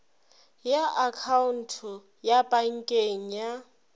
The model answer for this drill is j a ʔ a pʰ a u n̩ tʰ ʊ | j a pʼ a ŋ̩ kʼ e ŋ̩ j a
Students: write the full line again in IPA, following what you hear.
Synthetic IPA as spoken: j a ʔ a kʰ a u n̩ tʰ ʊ | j a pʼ a ŋ̩ kʼ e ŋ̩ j a